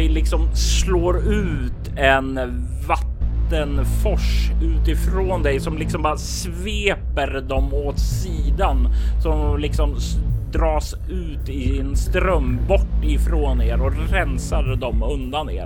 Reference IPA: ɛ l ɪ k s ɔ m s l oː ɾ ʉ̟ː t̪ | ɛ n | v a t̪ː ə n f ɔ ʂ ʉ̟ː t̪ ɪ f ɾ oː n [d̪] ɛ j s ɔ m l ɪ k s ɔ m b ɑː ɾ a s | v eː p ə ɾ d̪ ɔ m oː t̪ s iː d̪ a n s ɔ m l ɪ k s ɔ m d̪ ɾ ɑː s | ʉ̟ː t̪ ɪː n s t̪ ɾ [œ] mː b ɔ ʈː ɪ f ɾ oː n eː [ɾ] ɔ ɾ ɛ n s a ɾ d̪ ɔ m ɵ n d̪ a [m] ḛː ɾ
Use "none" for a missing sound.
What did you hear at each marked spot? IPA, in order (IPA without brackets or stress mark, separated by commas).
d̪, œ, ɾ, n